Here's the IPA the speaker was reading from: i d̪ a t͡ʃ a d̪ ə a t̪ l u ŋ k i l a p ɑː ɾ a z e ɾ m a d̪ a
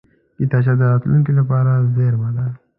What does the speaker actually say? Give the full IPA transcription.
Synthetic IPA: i t̪ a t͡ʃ a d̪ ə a t̪ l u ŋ k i l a p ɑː ɾ a z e ɾ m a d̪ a

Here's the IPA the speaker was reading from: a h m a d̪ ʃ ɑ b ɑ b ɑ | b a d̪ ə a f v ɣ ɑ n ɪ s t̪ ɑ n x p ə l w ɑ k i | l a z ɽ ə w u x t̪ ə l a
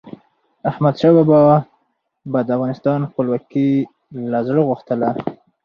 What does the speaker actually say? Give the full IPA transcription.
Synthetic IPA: a h m a d̪ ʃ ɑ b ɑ b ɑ | b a d̪ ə a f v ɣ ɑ n ɪ s t̪ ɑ n x p ə l w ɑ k i | l a z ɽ ə ɣ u x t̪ ə l a

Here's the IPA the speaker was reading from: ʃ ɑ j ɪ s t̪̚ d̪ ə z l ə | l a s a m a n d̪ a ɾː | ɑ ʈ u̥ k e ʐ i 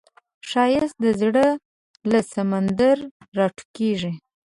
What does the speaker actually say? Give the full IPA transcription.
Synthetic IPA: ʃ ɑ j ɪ s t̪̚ d̪ ə z ɽ ə | l a s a m a n d̪ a ɾː | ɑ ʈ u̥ k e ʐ i

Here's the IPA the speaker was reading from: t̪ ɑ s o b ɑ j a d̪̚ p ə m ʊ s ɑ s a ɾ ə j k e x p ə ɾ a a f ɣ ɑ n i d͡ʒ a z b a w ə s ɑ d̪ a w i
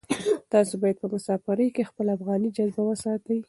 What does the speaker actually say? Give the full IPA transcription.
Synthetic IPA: t̪ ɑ s o b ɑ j a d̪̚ p ə m ʊ s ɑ f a ɾ ə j k e x p ə l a a f ɣ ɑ n i d͡ʒ a z b a w ə s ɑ t̪ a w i

